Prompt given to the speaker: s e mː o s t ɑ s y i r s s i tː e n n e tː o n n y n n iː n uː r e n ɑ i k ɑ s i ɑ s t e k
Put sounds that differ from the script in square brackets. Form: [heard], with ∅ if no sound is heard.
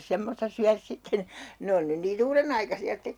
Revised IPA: s e mː o s t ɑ s y [æ] r s s i tː e n n e [∅] o n n y n n iː n uː r e n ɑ i k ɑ s i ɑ s t e k